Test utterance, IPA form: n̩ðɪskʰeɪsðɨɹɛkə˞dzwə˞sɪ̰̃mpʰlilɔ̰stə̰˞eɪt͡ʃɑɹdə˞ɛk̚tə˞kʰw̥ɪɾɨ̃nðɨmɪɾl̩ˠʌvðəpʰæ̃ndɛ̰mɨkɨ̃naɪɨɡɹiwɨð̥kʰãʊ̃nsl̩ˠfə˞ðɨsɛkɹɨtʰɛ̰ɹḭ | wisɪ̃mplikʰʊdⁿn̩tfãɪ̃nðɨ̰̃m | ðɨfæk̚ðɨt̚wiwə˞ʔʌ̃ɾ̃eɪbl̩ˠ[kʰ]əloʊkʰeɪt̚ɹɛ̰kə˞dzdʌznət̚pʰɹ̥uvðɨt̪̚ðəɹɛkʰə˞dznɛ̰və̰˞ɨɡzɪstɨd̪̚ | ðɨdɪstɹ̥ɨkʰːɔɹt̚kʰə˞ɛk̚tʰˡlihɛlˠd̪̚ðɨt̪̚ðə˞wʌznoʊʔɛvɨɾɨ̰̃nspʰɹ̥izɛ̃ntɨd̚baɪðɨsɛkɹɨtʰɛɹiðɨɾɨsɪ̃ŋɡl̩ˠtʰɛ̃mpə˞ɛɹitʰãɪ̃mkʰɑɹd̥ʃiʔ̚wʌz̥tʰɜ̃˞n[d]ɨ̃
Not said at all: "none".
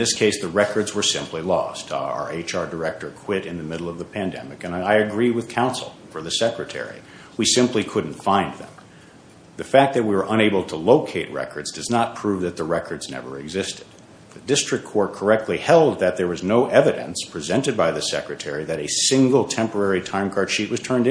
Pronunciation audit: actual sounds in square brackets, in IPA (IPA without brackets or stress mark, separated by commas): tʰ, d